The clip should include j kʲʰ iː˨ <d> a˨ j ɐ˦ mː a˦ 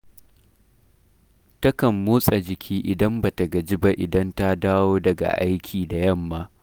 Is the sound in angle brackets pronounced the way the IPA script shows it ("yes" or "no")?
yes